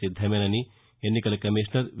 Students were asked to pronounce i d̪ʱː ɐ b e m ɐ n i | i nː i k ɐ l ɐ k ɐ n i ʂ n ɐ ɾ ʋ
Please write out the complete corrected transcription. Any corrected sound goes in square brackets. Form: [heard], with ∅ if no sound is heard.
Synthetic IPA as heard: i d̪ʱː ɐ [m] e [n] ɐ n i | [e] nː i k ɐ l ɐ k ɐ [m] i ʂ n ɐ ɾ ʋ